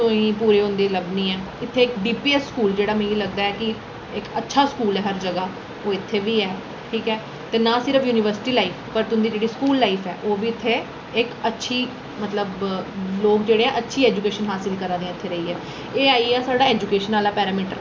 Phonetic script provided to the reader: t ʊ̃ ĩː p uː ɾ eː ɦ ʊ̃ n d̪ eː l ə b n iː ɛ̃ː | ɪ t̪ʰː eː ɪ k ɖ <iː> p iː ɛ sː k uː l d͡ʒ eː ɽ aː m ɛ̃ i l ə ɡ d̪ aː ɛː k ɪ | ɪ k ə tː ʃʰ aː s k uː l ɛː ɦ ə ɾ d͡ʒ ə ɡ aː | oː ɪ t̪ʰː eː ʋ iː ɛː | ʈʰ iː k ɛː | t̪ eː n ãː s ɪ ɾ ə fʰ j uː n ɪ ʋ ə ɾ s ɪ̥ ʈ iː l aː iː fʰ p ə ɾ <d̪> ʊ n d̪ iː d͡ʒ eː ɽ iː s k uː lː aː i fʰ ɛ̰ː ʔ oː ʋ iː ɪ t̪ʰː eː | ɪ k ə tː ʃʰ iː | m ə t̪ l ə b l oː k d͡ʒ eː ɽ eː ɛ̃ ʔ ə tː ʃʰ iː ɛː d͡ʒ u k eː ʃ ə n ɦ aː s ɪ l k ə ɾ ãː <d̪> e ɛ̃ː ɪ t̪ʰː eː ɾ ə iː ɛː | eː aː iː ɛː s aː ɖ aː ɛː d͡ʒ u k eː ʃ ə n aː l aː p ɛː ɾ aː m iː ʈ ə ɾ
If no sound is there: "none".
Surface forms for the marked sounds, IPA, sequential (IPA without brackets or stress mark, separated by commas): iː, t̪, d̪